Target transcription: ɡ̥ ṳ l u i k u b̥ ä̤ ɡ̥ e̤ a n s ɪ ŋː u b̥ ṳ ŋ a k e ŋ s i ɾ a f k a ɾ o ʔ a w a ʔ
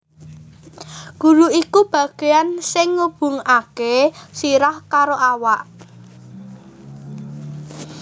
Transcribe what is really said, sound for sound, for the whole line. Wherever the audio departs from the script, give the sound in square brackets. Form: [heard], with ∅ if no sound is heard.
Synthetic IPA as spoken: ɡ̥ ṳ [ɾ] u i k u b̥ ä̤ ɡ̥ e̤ a n s ɪ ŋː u b̥ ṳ ŋ a k e [∅] s i ɾ a [h] k a ɾ o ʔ a w a ʔ